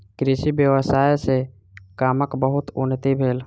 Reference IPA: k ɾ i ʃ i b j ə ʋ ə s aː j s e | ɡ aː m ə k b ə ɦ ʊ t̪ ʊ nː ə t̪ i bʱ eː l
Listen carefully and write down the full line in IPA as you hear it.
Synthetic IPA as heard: k ɾ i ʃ i b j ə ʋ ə s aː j s e | k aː m ə k b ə ɦ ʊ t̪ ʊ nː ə t̪ i bʱ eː l